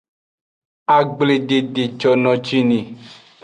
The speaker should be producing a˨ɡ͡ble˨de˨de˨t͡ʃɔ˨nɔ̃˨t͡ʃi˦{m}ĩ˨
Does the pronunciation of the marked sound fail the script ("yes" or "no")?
yes